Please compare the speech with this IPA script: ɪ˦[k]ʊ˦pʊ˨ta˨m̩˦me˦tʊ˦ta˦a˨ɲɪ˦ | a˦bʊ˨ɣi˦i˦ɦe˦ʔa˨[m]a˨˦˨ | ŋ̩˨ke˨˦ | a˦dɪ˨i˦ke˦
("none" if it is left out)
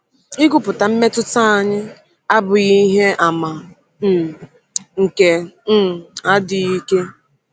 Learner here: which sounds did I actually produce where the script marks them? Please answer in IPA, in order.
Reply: ɡ, m

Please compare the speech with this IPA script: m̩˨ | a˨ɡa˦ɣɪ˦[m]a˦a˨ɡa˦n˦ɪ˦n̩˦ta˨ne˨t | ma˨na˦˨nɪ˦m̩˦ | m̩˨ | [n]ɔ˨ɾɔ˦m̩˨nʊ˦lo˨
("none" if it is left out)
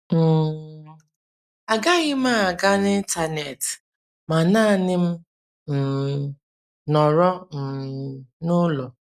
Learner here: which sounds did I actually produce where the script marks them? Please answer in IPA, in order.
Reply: m, n

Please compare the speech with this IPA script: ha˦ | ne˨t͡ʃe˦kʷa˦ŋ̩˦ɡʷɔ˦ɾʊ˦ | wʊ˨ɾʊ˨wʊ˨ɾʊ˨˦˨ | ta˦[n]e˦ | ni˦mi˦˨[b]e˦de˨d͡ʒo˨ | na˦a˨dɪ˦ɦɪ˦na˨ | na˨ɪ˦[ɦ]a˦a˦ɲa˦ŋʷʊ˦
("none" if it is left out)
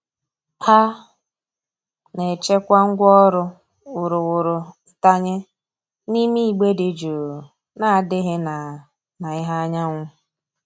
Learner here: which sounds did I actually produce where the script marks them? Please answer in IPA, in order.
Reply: ɲ, ɡ͡b, ɦ

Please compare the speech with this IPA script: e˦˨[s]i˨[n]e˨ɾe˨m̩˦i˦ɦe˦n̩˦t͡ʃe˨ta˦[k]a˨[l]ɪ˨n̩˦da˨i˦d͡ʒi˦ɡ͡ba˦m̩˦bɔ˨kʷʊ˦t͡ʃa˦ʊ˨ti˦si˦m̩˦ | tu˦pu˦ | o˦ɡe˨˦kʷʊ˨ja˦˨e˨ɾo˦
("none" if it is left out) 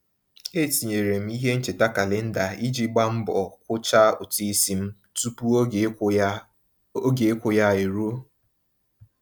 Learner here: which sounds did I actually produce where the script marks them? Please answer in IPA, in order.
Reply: t, ɲ, k, l

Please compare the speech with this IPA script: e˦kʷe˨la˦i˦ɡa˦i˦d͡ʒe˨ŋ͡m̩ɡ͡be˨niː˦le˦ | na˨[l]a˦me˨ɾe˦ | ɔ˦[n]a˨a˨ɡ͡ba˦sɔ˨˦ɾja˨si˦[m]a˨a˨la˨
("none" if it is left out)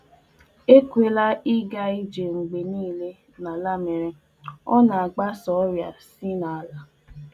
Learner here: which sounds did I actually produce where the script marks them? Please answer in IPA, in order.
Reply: l, n, n

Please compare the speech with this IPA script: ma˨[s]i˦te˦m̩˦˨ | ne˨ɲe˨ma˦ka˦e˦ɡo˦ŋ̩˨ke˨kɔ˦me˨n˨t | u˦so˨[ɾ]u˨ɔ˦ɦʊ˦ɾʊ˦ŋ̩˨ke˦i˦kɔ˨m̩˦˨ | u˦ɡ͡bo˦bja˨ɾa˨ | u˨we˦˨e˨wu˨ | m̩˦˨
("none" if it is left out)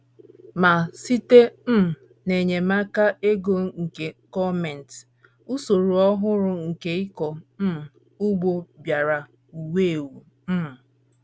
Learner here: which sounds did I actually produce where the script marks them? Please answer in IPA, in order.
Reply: s, ɾ

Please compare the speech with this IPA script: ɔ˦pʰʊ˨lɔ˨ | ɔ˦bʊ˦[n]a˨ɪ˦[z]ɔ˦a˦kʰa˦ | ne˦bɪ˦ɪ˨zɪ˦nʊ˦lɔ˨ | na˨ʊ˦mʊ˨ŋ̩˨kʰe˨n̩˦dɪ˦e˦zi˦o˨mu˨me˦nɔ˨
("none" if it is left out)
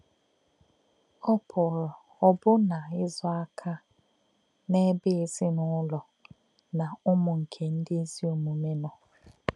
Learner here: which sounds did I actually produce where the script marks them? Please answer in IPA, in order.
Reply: n, z

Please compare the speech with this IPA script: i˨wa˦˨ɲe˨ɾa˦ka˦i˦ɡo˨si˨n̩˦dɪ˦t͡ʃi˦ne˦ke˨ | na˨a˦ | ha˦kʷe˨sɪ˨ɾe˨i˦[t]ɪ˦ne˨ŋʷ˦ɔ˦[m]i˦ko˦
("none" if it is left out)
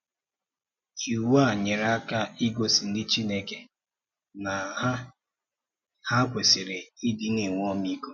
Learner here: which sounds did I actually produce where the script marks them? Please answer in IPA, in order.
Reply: d, m

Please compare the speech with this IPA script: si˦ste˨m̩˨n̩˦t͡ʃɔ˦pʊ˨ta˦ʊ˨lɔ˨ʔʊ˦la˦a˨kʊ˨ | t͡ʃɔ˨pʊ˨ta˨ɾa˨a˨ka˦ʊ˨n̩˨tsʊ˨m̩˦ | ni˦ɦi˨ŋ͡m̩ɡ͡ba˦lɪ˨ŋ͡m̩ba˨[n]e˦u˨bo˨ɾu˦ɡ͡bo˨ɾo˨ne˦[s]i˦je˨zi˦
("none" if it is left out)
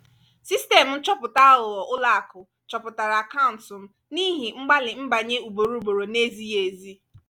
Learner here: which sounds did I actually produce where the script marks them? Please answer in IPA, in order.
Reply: ɲ, z

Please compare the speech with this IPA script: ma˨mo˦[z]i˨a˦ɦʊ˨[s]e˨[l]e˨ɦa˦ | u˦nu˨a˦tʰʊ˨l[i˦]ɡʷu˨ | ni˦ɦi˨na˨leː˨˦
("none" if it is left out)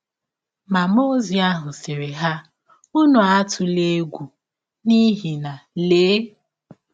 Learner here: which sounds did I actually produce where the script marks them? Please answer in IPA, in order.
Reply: z, s, ɾ, e˦

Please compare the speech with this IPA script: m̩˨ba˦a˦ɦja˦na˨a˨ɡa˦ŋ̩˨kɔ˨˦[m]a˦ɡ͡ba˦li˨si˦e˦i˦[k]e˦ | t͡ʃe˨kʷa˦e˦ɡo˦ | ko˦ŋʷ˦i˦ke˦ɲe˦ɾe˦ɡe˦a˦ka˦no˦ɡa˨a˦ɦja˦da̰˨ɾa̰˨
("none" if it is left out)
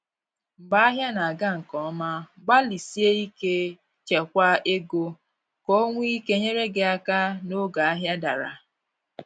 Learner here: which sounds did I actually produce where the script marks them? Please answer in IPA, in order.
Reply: m, k

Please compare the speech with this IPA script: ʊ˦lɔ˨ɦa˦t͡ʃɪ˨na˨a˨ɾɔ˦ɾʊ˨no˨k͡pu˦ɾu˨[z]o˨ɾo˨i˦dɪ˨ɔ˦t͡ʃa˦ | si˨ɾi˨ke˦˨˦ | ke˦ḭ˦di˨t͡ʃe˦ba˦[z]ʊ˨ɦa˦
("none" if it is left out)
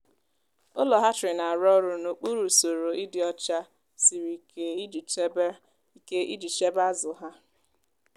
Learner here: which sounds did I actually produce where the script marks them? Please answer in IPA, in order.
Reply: s, z

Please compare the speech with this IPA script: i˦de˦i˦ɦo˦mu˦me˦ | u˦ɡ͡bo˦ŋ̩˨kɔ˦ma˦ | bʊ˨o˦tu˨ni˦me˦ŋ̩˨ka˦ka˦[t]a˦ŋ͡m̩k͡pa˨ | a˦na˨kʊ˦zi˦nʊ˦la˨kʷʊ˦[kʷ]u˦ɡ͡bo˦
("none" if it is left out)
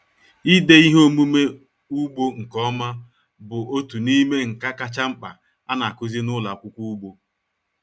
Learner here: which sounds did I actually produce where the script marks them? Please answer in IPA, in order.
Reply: t͡ʃ, kʷ

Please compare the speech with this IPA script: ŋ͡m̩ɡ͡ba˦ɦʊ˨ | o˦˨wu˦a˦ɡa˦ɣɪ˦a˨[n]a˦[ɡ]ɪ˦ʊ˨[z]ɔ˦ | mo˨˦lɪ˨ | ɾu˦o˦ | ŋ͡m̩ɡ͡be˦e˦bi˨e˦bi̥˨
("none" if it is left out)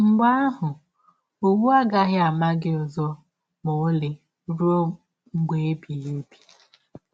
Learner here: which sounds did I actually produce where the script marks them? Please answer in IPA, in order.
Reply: m, ɡ, z

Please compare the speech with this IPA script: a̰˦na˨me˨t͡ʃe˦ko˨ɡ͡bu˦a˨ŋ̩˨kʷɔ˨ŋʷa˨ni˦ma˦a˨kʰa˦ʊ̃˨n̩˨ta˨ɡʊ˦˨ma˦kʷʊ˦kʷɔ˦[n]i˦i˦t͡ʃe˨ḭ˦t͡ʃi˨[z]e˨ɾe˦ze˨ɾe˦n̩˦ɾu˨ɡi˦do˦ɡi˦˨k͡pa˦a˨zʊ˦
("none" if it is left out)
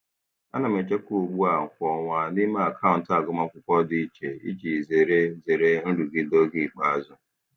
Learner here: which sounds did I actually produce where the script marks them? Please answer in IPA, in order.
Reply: d, z

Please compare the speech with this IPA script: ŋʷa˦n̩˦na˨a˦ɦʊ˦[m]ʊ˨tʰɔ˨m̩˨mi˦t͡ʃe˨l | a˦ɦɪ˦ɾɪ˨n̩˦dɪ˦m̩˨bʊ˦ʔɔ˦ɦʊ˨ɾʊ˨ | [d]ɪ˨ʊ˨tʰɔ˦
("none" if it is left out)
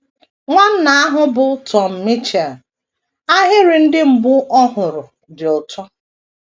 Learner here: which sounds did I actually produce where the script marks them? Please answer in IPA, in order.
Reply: b, d

